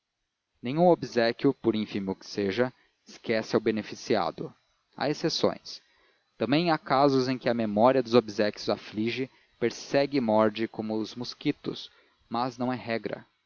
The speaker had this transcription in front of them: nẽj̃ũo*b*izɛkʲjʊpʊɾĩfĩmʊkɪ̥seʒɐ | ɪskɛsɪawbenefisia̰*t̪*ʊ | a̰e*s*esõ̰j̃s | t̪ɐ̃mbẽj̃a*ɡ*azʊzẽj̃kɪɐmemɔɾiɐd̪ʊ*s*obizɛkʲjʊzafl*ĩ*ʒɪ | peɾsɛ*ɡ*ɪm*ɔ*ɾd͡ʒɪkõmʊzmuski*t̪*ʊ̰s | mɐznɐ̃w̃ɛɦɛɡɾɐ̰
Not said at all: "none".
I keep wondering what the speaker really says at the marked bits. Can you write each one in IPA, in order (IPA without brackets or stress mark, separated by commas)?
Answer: b, d̪, s, k, z, i, ɡ, ɔ, t̪